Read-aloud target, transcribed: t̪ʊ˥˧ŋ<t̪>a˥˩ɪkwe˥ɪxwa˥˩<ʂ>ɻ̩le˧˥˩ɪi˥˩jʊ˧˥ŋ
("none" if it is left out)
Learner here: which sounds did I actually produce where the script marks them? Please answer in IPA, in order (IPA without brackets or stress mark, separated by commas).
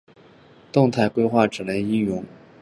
t̪ʰ, ʈ͡ʂ